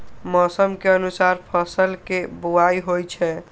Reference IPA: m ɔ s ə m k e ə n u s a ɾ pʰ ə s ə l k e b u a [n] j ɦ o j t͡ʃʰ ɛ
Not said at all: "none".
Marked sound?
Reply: none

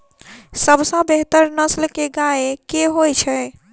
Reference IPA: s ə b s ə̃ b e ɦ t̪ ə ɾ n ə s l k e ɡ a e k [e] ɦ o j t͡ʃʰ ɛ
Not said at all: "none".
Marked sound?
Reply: e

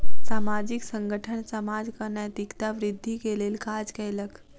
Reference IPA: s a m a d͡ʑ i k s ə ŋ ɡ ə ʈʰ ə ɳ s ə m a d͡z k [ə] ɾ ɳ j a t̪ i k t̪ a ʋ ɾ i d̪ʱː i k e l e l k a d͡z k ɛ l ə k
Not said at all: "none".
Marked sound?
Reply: ə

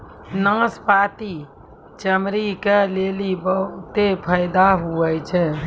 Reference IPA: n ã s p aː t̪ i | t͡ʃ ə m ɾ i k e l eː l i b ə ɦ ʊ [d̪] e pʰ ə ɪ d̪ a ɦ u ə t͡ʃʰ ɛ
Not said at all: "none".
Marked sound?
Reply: t̪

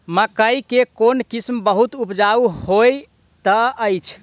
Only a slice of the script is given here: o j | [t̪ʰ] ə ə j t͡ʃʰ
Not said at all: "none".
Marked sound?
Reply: t̪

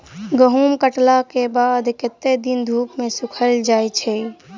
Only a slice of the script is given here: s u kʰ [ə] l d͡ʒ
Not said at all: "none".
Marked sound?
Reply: ə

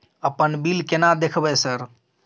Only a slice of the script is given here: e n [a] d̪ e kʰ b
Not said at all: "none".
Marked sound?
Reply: a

